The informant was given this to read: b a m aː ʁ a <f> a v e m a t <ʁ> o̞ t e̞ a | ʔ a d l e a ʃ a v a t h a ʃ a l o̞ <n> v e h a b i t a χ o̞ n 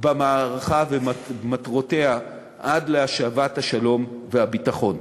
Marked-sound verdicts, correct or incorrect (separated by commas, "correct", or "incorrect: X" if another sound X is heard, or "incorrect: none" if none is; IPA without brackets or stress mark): incorrect: χ, correct, incorrect: m